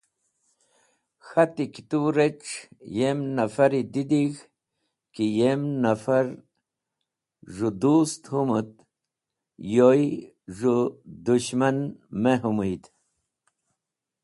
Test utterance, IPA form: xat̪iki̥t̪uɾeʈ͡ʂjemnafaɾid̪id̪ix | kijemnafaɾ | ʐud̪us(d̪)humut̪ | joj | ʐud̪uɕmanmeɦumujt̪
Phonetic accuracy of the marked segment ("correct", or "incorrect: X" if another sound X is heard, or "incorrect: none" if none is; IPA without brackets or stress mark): incorrect: t̪